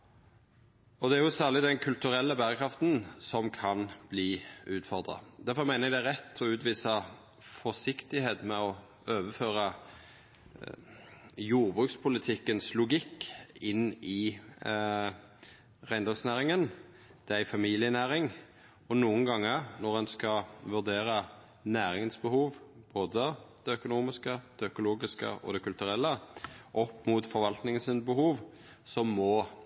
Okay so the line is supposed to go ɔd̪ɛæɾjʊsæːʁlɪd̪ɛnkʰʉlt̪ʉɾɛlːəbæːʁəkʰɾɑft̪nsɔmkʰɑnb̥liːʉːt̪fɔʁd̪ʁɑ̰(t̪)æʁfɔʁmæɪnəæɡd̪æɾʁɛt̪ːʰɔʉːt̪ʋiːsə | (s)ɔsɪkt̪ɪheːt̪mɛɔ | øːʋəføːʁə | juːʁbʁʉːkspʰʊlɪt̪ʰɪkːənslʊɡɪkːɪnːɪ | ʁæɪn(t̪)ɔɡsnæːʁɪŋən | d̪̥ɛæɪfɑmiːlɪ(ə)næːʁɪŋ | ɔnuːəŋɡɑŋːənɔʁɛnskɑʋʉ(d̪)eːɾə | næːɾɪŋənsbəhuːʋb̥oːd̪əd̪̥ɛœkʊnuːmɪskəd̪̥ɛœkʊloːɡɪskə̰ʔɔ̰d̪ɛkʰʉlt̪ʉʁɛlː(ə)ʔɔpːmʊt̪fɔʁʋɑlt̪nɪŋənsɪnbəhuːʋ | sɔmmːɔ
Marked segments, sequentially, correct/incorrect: incorrect, incorrect, incorrect, correct, correct, correct

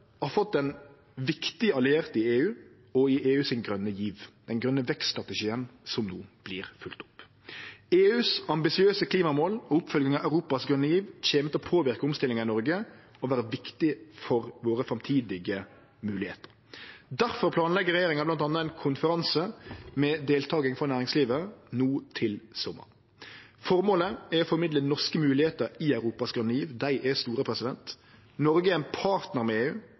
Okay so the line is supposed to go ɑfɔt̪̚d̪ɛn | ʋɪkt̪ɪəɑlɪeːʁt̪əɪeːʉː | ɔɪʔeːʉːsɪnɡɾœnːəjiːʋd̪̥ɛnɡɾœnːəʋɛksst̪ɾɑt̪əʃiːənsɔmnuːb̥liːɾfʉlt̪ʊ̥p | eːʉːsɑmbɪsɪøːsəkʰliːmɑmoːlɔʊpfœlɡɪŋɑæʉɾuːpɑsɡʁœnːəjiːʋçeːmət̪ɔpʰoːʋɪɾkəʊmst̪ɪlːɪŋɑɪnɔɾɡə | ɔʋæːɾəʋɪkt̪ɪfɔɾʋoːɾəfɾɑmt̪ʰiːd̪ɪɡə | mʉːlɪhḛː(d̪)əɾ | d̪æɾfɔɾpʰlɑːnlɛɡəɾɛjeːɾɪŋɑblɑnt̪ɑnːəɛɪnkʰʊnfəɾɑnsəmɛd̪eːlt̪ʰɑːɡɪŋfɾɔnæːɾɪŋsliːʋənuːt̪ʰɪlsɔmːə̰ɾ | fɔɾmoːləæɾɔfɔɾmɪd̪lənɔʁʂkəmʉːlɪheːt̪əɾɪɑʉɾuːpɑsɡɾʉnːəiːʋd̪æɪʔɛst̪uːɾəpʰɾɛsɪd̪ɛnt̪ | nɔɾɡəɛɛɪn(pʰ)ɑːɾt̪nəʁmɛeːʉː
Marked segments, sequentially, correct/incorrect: incorrect, correct

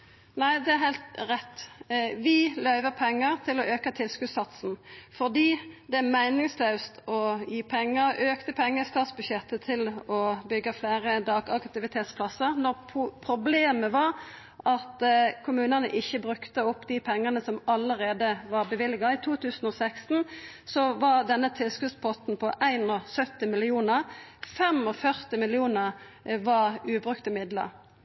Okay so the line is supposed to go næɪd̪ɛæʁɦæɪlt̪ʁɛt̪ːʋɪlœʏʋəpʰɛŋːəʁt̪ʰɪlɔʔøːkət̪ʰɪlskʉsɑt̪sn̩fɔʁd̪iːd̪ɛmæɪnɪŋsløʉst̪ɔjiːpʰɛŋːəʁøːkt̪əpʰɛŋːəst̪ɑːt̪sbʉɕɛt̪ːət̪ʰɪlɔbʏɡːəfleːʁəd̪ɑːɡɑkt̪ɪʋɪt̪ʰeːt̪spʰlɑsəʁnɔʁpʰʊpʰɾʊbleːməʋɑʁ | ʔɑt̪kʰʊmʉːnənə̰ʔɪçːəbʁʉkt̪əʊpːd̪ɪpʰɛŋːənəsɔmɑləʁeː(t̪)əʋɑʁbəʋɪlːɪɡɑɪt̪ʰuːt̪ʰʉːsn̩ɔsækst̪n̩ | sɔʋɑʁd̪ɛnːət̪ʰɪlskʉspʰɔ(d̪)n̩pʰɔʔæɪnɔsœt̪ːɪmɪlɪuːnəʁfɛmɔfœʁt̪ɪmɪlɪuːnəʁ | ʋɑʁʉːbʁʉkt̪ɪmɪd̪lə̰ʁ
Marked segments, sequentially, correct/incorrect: incorrect, incorrect

